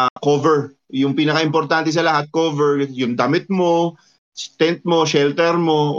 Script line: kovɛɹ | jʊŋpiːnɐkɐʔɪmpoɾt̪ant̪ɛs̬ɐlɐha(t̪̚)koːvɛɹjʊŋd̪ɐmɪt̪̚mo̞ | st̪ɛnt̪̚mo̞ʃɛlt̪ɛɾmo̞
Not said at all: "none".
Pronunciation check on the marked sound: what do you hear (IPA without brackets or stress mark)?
t̪̚